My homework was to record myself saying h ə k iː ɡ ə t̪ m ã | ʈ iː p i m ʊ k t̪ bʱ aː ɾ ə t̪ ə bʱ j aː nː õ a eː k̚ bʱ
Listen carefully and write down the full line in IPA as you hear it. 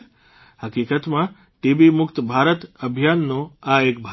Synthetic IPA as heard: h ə k iː k ə t̪ m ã | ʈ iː b i m ʊ k t̪ bʱ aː ɾ ə t̪ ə bʱ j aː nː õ a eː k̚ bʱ

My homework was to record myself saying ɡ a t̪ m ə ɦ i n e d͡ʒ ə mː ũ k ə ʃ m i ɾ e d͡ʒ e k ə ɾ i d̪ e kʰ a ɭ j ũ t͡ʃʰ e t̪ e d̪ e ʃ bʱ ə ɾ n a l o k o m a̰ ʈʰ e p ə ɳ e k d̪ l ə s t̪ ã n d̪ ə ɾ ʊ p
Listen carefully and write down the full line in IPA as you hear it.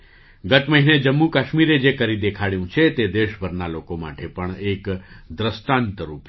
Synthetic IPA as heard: ɡ ə t̪ m ə ɦ i n e d͡ʒ ə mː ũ k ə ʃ m i ɾ e d͡ʒ e k ə ɾ i d̪ e kʰ a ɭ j ũ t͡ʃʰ e t̪ e d̪ e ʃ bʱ ə ɾ n a l o k o m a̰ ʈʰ e p ə ɳ e k d̪ ɾ ə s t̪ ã n t̪ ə ɾ u p

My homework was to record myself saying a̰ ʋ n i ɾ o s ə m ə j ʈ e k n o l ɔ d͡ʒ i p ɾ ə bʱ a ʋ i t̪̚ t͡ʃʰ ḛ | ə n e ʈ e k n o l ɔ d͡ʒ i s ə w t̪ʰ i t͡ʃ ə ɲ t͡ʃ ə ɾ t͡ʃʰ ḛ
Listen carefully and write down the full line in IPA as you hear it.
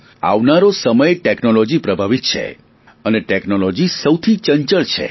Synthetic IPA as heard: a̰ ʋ n a ɾ o s ə m ə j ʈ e k n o l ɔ d͡ʒ i p ɾ ə bʱ a ʋ i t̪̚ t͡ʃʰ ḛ | ə n e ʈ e k n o l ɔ d͡ʒ i s ə w t̪ʰ i t͡ʃ ə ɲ t͡ʃ ə ɭ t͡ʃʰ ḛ

